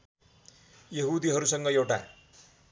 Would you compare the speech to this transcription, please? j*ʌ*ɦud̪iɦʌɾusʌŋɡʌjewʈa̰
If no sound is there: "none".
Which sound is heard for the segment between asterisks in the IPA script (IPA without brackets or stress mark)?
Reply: ʌ